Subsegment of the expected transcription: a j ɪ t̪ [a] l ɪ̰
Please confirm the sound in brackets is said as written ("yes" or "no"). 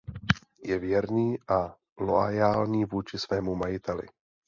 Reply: no